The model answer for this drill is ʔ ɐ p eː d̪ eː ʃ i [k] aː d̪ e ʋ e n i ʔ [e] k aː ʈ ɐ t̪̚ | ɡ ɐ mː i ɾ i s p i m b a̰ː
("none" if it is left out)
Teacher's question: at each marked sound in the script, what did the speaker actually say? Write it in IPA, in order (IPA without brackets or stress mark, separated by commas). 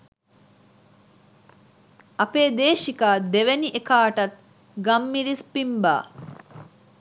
k, e